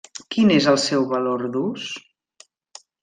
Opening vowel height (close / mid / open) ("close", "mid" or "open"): close